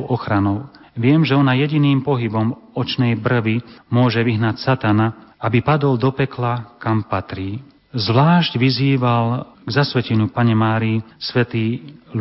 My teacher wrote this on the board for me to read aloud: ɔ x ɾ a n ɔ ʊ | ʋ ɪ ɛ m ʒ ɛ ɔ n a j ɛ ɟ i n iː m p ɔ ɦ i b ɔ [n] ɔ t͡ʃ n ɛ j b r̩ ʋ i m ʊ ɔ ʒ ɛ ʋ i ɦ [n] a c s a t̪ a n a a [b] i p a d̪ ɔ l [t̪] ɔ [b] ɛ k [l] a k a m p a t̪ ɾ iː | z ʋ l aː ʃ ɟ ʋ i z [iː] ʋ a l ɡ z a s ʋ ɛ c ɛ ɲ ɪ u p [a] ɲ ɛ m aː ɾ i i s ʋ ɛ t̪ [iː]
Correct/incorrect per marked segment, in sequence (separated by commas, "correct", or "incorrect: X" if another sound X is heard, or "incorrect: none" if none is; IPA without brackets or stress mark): incorrect: m, correct, correct, incorrect: d̪, incorrect: p, correct, correct, correct, correct